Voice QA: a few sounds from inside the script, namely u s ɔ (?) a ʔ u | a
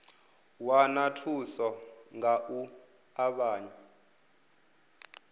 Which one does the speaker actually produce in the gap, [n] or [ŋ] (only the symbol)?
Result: ŋ